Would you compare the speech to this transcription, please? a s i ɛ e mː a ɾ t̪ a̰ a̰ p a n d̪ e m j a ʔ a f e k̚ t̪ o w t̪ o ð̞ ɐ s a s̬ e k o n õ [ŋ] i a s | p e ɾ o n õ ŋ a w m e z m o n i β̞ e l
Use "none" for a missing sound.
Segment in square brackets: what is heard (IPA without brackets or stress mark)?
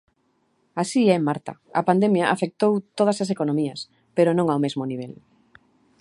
m